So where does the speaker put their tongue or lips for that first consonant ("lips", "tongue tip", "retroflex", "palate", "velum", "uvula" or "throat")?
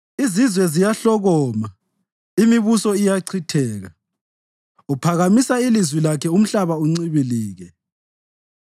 tongue tip